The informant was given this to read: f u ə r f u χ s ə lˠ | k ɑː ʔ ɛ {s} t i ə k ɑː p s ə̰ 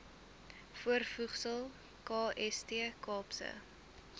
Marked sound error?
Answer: no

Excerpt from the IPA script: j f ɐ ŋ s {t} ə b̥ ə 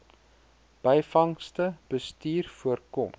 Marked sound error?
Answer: no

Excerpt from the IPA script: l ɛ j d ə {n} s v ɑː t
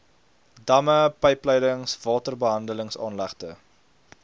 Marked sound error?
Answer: yes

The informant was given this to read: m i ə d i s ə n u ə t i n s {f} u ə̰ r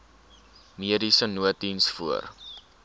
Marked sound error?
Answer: no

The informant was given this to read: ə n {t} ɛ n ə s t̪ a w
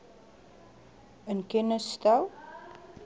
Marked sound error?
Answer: yes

